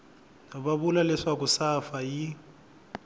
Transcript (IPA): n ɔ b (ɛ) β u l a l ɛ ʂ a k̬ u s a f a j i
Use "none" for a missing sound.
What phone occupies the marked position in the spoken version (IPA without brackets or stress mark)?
a